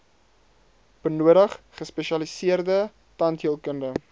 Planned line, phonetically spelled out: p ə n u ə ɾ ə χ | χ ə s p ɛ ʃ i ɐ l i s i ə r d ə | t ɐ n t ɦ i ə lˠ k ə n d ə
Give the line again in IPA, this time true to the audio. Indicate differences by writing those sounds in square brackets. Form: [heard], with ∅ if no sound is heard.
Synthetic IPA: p ə n u ə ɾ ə χ | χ ə s p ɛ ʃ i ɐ l i s i ə r d ə | t ɐ n t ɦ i ə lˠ k ə n d ə

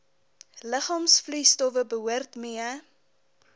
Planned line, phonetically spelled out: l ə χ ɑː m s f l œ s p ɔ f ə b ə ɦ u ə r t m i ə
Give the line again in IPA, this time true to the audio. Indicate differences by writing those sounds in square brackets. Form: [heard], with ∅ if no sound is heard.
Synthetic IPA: l ə χ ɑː m s f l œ s [t] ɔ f ə b ə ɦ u ə r t m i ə

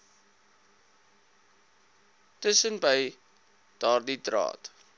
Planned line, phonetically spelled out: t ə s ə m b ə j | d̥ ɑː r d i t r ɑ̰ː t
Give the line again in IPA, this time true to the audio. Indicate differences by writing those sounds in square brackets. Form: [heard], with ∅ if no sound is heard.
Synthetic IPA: t ə s ə [n] b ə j | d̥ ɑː r d i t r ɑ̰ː t

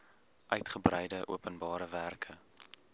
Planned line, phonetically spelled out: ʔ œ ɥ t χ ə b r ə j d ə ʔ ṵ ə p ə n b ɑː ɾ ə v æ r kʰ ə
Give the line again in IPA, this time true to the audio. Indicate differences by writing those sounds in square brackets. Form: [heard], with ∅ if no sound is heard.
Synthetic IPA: ʔ œ ɥ t χ ə b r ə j d ə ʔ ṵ ə p ə n b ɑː ɾ ə v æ r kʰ ə

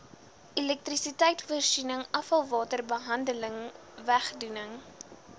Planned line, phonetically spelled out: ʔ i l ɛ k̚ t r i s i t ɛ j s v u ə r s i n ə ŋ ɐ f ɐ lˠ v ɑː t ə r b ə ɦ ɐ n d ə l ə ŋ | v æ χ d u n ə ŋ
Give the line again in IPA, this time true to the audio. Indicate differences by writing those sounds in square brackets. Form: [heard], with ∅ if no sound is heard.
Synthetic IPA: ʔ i l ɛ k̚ t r i s i t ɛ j [t] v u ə r s i n ə ŋ ɐ f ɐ lˠ v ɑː t ə r b ə ɦ ɐ n d ə l ə ŋ | v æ χ d u n ə ŋ

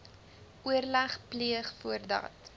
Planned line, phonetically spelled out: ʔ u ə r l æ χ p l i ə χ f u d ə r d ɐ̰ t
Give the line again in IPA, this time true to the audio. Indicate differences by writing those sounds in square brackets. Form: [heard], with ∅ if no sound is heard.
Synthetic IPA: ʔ u ə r l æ χ p l i ə χ f u [∅] ə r d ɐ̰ t

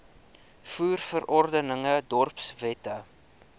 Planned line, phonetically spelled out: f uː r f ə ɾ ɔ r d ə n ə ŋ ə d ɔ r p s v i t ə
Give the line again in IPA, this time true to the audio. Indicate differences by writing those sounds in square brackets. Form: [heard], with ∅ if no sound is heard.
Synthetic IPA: f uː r f ə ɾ ɔ r d ə n ə ŋ ə d ɔ r p s v [ɛ] t ə

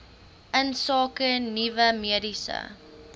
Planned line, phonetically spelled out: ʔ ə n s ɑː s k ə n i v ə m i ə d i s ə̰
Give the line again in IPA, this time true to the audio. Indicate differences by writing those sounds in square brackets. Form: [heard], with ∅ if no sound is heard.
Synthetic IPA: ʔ ə n s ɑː [∅] k ə n i v ə m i ə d i s ə̰

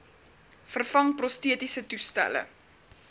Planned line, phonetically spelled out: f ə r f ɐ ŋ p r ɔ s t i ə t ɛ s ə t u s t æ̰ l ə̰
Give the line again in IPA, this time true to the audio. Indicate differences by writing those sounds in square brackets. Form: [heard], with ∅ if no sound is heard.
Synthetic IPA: f ə r f ɐ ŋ p r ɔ s t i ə t [i] s ə t u s t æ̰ l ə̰

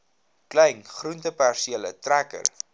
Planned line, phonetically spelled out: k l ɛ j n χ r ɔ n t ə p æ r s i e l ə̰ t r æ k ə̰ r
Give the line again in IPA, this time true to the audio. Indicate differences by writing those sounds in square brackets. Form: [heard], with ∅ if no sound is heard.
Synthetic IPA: k l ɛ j n χ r [u] n t ə p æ r s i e l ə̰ t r æ k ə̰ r

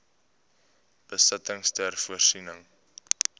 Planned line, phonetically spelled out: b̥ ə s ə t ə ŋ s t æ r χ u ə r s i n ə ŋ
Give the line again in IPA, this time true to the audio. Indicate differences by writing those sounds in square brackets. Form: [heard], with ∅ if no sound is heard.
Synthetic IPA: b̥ ə s ə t ə ŋ s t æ r [f] u ə r s i n ə ŋ

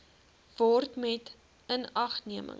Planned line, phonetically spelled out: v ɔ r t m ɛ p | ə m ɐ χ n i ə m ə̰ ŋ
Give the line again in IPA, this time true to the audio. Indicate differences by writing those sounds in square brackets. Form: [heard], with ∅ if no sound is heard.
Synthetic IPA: v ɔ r t m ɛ [t] | ə [n] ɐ χ n i ə m ə̰ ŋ

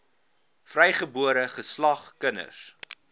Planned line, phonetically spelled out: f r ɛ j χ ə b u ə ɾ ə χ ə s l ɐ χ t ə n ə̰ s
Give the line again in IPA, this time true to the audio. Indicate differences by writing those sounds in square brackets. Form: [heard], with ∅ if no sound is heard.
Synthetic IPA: f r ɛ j χ ə b u ə ɾ ə χ ə s l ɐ χ [k] ə n ə̰ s

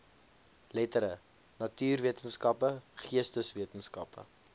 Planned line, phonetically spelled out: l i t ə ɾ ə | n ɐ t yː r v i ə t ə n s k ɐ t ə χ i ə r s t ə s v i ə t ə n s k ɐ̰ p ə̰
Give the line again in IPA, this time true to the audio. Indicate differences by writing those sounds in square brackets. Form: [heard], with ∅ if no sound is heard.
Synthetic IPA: l [ɛ] t ə ɾ ə | n ɐ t yː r v i ə t ə n s k ɐ [p] ə χ i ə [∅] s t ə s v i ə t ə n s k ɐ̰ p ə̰

